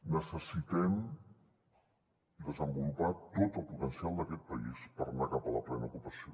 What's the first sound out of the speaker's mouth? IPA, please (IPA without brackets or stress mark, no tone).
n